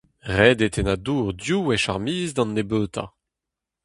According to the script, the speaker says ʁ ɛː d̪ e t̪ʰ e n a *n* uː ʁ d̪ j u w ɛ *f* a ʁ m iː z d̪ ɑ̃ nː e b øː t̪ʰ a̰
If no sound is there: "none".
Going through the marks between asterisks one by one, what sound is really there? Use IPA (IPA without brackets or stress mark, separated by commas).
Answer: d, ʃ